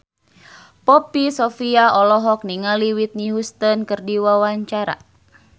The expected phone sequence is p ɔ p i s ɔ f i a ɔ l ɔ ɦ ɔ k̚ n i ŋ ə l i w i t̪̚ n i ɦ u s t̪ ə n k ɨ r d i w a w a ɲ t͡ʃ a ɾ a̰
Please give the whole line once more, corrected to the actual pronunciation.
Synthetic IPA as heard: p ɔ p i s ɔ f i a ɔ l ɔ ɦ ɔ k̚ n i ŋ a l i w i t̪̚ n i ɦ u s t̪ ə n k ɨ r d i w a w a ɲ t͡ʃ a ɾ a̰